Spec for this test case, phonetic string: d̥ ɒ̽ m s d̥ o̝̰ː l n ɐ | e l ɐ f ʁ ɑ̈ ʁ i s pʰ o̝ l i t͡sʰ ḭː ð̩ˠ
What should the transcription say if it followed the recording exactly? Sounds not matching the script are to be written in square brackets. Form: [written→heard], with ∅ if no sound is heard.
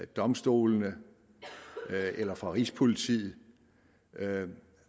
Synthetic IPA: d̥ ɒ̽ m s d̥ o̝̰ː l n [ɐ→ə] | e l ɐ f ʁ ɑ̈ ʁ i s pʰ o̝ l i t͡sʰ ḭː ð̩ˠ